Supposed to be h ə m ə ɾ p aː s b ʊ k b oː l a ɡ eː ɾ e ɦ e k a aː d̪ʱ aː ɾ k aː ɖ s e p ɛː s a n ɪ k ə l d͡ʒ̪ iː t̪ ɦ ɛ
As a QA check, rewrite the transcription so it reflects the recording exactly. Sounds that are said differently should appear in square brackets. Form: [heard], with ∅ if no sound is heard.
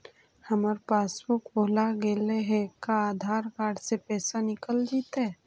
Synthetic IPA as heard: h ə m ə ɾ p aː s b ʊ k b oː l a ɡ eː [l] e ɦ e k a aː d̪ʱ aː ɾ k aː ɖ s e p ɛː s a n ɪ k ə l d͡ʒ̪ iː t̪ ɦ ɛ